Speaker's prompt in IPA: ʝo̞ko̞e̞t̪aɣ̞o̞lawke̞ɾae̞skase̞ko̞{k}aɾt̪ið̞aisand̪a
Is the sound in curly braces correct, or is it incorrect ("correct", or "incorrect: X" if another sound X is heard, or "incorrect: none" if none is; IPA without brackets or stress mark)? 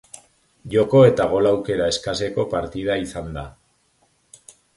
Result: incorrect: p